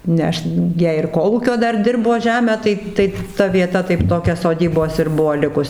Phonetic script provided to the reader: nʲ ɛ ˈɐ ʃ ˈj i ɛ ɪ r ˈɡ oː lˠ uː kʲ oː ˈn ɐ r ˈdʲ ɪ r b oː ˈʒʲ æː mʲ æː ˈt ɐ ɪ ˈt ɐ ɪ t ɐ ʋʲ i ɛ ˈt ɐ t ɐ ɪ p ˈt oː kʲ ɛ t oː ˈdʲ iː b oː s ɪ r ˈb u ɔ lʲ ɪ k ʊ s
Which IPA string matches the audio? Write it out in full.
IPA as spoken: nʲ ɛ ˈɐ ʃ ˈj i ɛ ɪ r ˈk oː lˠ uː kʲ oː ˈd ɐ r ˈdʲ ɪ r b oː ˈʒʲ æː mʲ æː ˈt ɐ ɪ ˈt ɐ ɪ t ɐ ʋʲ i ɛ ˈt ɐ t ɐ ɪ p ˈt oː kʲ ɛ s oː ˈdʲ iː b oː s ɪ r ˈb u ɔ lʲ ɪ k ʊ s